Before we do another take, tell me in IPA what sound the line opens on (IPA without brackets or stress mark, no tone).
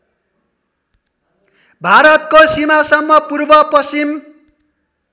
bʱ